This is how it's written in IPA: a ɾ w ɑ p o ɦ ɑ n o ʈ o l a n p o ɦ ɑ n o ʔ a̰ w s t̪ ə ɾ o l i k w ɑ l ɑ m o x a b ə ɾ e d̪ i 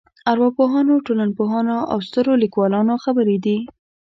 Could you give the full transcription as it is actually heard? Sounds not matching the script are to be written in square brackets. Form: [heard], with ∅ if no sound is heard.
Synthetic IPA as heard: a ɾ w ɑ p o ɦ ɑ n o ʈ o l a n p o ɦ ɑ n o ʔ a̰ w s t̪ ə ɾ o l i k w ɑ l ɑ [n] o x a b ə ɾ e d̪ i